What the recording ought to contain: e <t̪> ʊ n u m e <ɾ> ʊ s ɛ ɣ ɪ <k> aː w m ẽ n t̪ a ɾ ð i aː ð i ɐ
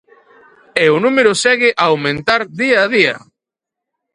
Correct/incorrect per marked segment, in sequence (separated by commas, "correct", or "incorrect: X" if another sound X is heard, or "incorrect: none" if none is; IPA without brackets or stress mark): incorrect: none, correct, incorrect: ʔ